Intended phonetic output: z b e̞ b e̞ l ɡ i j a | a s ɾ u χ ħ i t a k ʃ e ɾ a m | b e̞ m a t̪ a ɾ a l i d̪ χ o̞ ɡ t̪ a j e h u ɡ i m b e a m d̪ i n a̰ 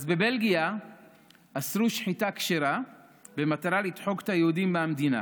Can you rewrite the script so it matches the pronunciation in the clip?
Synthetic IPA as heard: z b e̞ b e̞ l ɡ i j a | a s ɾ u ʃ ħ i t a k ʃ e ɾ a | b e̞ m a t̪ a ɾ a l i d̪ ħ o̞ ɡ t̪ a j e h u d i m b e a m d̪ i n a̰